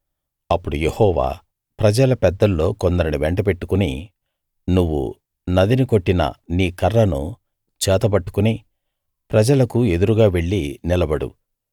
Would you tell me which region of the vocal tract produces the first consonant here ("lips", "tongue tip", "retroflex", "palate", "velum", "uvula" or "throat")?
lips